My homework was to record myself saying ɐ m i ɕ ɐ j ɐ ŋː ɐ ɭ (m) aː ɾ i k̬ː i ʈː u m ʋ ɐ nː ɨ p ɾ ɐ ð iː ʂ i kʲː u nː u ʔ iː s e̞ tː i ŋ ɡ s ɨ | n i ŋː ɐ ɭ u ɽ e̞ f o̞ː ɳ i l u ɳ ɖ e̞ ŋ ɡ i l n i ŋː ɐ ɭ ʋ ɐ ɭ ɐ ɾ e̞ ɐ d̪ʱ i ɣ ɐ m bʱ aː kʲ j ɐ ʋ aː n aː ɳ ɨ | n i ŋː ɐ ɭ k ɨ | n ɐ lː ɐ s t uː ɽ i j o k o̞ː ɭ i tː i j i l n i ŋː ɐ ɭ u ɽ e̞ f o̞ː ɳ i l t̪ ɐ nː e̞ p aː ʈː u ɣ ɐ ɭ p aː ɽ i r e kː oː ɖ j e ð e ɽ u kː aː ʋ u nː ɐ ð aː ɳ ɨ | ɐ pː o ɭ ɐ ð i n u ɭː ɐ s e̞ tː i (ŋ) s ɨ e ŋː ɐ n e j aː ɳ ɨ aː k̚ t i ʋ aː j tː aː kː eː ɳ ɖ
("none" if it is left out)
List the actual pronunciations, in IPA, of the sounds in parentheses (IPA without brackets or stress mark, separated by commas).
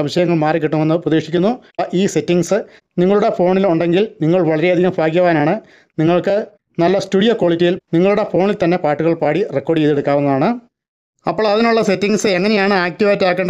m, ŋ